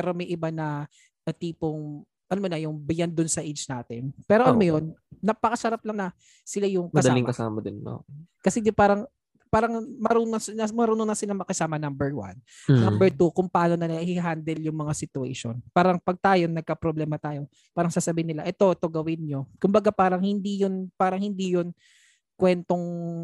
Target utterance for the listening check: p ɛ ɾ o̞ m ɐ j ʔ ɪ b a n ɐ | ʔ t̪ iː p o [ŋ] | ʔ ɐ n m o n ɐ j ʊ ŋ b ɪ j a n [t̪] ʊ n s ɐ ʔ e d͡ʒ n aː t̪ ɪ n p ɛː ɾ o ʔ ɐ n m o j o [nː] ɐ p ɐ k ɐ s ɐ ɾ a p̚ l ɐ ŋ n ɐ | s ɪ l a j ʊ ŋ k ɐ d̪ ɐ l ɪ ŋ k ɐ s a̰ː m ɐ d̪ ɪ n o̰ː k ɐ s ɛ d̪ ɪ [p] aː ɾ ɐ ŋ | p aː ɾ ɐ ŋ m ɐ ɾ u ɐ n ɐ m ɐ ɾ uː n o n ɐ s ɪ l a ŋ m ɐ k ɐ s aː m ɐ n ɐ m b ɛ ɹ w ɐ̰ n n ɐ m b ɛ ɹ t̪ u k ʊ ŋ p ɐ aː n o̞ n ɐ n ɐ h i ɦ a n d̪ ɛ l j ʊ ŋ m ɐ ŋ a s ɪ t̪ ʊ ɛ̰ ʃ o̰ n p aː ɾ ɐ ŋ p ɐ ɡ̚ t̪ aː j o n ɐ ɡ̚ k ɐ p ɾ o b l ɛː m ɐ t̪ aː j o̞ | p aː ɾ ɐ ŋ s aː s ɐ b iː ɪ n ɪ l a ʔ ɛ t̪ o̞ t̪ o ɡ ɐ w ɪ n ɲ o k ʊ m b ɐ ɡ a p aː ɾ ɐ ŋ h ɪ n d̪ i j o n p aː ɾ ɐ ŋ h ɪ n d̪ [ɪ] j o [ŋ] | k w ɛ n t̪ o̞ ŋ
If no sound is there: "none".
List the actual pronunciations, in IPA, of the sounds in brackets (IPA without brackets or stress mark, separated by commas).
ŋ, d̪, nː, p, i, n